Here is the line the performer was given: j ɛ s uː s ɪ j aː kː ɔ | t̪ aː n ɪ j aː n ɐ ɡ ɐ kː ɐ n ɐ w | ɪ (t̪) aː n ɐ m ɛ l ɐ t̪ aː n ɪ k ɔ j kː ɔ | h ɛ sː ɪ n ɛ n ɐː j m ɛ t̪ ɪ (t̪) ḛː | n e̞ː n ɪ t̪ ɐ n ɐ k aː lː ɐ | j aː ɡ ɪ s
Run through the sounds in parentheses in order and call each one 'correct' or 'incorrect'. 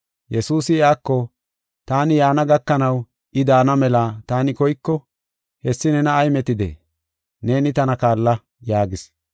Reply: incorrect, incorrect

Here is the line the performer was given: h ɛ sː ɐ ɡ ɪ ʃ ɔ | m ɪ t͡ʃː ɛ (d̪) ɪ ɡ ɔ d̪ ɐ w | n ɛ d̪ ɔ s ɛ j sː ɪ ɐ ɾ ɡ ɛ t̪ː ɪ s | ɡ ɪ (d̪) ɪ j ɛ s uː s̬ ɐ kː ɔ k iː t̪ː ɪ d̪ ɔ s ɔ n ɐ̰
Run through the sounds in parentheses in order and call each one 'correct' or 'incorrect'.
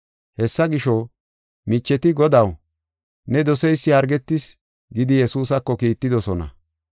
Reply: incorrect, correct

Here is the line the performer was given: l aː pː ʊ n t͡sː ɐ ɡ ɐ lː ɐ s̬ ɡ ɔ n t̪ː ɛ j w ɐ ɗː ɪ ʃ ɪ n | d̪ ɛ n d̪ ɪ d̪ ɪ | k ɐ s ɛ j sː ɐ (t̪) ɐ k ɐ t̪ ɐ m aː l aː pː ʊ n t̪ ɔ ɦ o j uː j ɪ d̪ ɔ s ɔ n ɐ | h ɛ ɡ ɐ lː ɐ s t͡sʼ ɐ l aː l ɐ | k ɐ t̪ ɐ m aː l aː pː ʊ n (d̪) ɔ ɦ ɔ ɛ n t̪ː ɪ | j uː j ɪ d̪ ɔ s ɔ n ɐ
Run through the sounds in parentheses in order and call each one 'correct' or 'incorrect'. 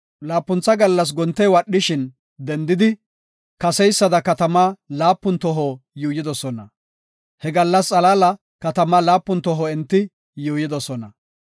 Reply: incorrect, incorrect

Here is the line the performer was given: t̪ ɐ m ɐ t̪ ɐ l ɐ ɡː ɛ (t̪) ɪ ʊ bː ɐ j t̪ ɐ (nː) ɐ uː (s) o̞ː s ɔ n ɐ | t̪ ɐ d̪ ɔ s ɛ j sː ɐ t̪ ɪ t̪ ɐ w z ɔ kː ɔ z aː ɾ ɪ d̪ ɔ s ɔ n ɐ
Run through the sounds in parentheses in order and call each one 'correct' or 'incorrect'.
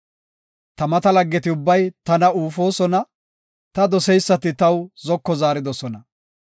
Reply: correct, incorrect, incorrect

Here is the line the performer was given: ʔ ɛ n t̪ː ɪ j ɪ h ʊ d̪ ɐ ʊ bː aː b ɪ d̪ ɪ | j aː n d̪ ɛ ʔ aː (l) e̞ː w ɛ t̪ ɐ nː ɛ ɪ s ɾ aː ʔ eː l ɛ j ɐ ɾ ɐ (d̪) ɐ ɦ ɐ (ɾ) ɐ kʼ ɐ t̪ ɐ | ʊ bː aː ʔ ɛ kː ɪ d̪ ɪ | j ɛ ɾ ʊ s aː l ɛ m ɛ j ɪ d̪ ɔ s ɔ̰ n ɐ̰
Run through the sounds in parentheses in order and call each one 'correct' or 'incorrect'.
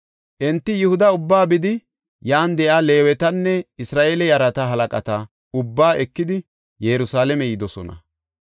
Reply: correct, incorrect, incorrect

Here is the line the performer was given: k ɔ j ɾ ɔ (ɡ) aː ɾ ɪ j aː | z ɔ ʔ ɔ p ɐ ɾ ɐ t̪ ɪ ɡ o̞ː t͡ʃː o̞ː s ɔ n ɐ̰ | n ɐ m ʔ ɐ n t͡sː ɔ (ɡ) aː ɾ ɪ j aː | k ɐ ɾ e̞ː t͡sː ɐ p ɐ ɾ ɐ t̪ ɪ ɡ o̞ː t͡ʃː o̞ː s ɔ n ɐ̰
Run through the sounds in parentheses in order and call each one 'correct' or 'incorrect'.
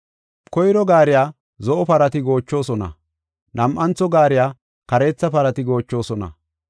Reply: correct, correct

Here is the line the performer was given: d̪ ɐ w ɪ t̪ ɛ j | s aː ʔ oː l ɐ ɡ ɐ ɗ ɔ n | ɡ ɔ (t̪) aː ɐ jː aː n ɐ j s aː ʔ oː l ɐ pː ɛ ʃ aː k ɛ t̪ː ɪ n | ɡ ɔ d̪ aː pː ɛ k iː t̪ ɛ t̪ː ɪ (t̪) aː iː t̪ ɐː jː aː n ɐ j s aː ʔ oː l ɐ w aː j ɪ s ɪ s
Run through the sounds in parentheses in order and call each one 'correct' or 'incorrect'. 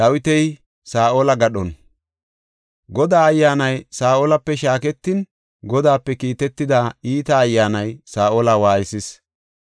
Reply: incorrect, incorrect

